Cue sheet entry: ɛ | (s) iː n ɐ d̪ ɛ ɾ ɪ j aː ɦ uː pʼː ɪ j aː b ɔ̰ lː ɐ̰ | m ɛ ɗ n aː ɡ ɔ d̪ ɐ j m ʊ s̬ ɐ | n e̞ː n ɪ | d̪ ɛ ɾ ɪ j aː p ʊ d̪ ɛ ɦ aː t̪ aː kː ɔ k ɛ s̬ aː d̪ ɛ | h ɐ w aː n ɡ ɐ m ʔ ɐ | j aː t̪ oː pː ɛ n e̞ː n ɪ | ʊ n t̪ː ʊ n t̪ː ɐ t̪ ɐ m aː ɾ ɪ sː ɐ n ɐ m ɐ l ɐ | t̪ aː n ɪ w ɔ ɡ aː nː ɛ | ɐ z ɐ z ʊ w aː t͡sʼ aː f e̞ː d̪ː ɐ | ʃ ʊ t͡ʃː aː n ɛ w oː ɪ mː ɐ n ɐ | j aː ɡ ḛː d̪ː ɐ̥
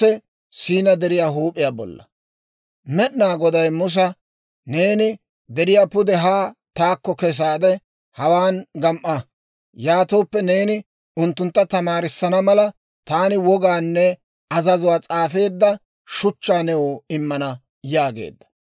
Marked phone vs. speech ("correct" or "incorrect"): correct